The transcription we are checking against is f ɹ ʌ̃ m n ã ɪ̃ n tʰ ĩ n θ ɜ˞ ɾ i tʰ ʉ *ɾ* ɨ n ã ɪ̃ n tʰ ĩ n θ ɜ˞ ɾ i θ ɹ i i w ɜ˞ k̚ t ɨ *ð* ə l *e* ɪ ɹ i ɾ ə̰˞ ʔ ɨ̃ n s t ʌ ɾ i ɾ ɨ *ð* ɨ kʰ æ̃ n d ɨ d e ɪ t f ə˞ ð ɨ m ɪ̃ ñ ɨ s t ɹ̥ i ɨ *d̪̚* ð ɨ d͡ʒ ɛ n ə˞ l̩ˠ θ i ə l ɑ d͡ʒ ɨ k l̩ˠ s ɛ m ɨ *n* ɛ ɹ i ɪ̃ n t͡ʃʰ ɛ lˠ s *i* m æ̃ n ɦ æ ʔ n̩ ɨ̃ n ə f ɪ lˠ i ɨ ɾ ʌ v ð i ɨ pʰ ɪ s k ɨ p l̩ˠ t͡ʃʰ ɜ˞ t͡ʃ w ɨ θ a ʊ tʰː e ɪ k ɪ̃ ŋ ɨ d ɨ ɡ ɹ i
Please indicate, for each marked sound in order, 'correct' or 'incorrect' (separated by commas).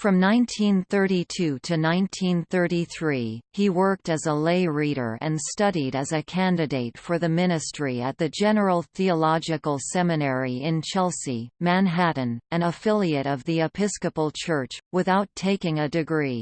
correct, incorrect, correct, incorrect, incorrect, correct, correct